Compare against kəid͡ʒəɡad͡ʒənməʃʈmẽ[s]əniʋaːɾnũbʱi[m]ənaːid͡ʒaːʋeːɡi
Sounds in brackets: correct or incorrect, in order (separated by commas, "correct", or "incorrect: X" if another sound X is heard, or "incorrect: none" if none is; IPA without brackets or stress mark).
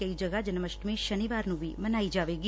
incorrect: ʃ, correct